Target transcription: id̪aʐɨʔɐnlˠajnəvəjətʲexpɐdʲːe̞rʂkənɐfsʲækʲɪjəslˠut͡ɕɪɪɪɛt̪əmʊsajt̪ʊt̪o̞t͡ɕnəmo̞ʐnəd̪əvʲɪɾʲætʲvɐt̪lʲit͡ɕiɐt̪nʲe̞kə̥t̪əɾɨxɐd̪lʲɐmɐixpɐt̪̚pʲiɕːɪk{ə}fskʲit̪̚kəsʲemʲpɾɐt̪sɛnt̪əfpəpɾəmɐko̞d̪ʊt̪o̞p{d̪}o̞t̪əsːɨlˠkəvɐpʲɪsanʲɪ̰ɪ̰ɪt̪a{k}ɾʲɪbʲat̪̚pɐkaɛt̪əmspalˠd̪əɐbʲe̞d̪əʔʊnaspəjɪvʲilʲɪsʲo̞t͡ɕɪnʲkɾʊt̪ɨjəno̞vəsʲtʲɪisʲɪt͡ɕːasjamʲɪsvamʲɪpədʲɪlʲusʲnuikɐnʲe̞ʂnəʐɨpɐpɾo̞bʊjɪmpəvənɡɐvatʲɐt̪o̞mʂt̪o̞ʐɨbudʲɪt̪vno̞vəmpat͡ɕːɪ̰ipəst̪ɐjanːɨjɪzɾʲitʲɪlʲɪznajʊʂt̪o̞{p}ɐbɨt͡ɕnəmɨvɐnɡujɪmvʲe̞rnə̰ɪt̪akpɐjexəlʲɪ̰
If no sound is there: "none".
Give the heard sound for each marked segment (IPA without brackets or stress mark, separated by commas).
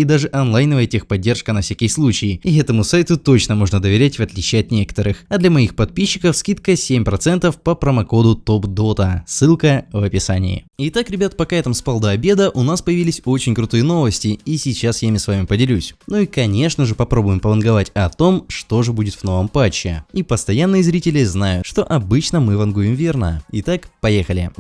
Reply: ə, d̪, k, ʔ